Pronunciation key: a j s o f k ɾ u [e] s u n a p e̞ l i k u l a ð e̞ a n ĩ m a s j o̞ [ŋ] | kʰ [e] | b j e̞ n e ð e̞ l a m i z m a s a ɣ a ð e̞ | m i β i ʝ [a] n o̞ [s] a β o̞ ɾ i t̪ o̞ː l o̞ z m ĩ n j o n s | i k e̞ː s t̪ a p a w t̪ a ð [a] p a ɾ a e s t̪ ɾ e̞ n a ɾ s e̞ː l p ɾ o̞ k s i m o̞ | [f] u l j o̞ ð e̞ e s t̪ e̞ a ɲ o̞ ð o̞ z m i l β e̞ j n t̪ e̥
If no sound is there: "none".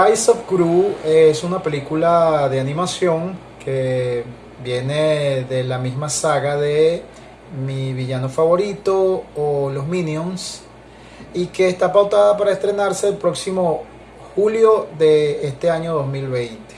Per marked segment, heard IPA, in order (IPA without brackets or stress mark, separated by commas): e, ŋ, e, a, f, a, x